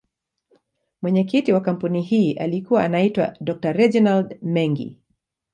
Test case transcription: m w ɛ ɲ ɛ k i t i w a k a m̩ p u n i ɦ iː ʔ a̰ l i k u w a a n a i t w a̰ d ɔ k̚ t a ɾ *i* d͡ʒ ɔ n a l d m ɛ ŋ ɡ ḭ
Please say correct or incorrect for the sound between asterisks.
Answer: incorrect